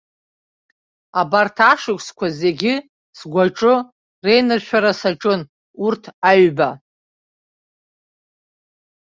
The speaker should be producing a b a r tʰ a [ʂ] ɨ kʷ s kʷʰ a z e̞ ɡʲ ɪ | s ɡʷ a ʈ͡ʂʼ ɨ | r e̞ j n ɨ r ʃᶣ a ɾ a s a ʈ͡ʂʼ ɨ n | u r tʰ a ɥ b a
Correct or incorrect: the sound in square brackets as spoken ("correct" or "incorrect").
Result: correct